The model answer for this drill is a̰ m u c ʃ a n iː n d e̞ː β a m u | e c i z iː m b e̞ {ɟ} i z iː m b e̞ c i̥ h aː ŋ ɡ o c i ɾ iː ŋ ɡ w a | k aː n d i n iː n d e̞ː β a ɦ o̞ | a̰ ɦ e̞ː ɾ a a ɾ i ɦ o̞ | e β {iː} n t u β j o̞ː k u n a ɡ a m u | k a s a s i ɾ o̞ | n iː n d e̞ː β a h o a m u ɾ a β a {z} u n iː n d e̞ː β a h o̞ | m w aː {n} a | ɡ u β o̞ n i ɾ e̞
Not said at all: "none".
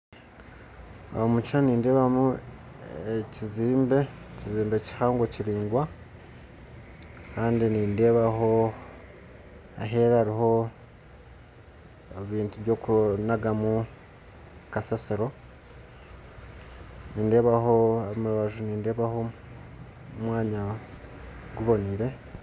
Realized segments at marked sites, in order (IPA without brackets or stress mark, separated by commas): c, iː, ʒ, ɲ